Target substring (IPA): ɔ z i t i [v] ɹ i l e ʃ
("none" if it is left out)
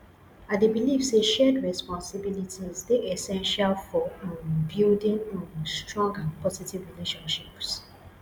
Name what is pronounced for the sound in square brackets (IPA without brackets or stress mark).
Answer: v